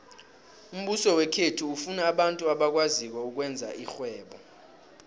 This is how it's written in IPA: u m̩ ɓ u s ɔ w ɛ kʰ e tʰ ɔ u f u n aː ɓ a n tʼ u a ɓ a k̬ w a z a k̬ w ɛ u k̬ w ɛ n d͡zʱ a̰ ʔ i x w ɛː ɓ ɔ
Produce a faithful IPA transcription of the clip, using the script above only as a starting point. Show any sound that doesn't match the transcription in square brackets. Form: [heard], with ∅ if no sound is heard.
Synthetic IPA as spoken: u m̩ ɓ u s ɔ w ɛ kʰ e tʰ [u] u f u n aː ɓ a n tʼ u a ɓ a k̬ w a z [i] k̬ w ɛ u k̬ w ɛ n d͡zʱ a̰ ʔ i x w ɛː ɓ ɔ